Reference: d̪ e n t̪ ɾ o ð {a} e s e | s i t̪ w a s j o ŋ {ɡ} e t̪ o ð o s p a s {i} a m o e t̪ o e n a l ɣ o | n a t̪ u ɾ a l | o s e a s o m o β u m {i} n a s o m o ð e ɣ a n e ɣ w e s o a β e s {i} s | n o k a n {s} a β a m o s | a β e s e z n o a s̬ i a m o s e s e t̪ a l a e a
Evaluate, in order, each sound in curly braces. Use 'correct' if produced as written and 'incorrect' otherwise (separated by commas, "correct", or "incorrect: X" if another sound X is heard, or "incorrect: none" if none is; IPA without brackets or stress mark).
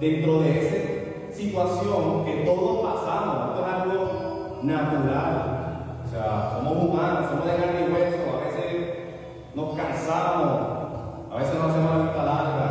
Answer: incorrect: e, incorrect: k, incorrect: a, incorrect: a, incorrect: e, correct